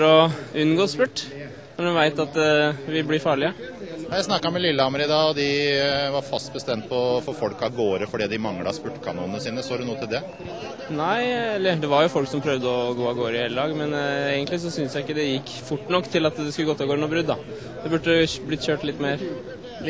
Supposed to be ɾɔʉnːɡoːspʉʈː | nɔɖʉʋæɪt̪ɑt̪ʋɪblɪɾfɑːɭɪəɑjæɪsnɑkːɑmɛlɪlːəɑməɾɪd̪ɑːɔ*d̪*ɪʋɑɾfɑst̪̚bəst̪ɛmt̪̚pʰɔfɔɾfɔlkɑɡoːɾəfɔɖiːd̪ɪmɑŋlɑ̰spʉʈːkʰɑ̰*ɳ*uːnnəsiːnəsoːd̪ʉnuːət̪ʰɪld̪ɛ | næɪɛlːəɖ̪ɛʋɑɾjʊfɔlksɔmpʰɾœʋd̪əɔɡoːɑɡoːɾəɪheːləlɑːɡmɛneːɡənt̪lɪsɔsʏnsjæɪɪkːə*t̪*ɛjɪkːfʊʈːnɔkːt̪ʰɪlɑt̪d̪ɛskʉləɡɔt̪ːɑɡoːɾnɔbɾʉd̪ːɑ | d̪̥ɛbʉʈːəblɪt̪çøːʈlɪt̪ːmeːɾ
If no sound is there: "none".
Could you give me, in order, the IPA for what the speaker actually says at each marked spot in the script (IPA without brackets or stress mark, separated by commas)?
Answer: d̪, n, d̪